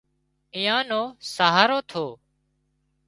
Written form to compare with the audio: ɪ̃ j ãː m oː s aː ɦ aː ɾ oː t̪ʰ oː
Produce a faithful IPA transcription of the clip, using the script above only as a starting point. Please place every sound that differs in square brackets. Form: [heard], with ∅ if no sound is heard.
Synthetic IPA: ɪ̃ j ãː [n] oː s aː ɦ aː ɾ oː t̪ʰ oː